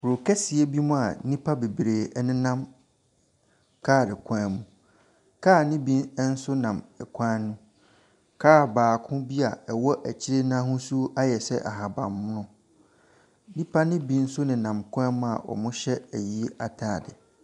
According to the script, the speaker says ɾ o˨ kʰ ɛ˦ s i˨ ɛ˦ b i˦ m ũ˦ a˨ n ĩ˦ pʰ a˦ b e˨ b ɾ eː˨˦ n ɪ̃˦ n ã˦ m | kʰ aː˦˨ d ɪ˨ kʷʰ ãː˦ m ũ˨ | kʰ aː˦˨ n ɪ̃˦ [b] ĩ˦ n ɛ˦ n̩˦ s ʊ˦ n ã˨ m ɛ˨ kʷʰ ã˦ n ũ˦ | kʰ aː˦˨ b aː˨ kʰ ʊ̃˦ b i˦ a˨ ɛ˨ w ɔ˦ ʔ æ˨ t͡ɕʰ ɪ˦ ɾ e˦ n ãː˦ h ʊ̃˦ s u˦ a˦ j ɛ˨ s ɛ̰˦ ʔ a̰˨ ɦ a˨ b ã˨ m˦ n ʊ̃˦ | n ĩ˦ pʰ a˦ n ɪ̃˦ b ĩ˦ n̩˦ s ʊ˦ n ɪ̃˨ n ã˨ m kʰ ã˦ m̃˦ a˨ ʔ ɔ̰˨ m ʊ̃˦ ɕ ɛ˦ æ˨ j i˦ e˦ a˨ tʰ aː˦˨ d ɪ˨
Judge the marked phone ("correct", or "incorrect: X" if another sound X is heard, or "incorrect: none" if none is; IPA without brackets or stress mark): correct